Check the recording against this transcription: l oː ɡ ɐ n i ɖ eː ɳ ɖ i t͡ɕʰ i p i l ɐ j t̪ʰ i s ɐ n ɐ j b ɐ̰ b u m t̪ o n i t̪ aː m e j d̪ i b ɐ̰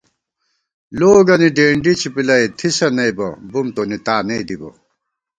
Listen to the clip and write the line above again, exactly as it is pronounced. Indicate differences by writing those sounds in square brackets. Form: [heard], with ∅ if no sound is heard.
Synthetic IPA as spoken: l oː ɡ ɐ n i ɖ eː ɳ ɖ i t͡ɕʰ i p i l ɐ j t̪ʰ i s ɐ n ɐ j b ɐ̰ b u m t̪ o n i t̪ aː [n] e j d̪ i b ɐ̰